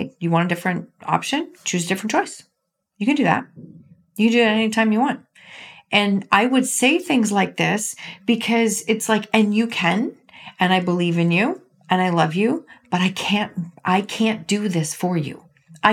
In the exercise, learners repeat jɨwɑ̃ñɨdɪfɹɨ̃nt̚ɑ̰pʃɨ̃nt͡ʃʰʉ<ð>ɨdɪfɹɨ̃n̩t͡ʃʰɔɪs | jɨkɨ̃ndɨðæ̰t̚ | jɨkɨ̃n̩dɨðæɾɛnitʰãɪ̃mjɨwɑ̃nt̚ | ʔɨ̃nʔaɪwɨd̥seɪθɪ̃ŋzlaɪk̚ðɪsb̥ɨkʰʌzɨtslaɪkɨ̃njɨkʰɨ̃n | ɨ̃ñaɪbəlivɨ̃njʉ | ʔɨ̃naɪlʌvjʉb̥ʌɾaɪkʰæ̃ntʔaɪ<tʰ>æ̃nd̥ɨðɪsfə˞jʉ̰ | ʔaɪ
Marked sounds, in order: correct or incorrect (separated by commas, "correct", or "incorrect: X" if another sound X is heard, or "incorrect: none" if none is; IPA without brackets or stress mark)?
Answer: incorrect: z, incorrect: kʰ